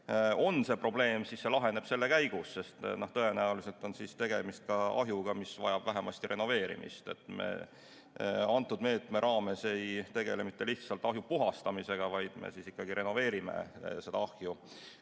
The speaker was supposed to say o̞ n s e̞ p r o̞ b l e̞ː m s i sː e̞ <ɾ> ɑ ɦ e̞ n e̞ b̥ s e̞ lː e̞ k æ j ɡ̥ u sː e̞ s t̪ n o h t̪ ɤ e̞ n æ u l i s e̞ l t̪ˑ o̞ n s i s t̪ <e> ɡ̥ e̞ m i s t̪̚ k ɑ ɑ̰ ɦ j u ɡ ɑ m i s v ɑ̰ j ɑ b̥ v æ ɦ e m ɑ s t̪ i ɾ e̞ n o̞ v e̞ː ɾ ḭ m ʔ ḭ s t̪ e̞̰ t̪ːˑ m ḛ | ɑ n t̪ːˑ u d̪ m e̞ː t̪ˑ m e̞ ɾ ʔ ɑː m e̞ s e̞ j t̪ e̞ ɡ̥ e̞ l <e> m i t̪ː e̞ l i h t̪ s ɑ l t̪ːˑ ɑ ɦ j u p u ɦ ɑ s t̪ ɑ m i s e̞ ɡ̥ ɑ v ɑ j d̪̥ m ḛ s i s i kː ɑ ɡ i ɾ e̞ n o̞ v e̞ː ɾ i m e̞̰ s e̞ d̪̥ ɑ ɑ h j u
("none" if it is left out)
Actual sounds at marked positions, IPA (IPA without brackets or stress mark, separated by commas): l, e, e